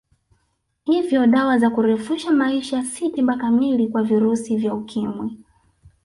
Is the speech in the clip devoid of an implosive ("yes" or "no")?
no